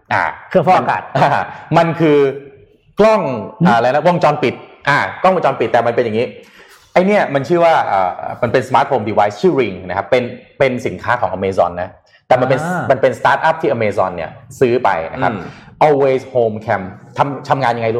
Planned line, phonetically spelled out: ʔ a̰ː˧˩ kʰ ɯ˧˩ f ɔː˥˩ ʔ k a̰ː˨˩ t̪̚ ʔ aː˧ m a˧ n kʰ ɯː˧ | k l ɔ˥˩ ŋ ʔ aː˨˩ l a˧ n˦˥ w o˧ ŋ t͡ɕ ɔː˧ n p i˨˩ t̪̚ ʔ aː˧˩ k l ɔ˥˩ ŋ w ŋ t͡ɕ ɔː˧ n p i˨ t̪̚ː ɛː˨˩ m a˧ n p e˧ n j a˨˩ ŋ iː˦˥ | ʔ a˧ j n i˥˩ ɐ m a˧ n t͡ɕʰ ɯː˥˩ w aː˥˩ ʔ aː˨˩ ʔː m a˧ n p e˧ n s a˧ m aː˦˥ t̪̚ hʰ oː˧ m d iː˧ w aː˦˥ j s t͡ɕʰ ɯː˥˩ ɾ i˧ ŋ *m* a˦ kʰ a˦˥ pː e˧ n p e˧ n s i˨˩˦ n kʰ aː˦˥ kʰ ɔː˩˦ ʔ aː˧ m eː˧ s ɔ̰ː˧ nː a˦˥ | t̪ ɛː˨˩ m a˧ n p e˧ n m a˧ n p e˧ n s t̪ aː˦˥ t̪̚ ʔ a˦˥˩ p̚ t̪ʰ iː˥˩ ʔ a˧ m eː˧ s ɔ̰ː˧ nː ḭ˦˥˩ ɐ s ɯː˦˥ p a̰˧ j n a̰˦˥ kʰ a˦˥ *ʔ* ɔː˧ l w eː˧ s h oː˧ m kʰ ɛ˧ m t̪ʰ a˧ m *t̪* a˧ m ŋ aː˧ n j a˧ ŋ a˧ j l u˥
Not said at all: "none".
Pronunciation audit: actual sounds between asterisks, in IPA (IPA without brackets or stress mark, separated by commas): n, ʔ, t̪ʰ